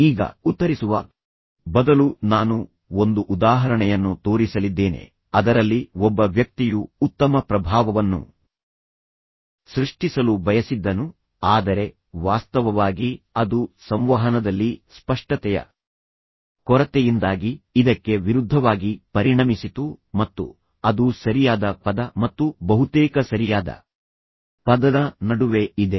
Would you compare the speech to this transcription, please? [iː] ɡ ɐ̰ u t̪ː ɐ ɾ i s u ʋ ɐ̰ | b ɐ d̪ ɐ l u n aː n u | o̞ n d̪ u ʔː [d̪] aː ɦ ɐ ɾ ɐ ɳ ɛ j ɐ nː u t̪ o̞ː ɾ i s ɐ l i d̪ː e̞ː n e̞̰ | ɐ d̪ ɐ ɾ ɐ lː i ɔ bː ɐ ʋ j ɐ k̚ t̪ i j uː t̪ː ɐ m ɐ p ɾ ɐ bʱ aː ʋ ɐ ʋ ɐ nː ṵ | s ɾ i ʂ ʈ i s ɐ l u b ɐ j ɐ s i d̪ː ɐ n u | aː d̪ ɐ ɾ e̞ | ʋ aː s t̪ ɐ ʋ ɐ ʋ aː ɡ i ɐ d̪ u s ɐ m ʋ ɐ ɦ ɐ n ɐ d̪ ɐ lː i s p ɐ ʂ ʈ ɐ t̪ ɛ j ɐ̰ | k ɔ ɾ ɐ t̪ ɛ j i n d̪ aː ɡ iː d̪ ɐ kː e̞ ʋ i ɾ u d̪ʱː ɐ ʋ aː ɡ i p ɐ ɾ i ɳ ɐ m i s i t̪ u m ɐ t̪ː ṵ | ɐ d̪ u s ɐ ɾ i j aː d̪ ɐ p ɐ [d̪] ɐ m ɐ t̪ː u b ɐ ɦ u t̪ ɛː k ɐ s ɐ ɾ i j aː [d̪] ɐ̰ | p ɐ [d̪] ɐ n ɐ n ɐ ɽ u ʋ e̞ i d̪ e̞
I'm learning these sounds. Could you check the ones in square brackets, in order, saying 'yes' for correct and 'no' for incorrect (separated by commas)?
yes, yes, yes, yes, yes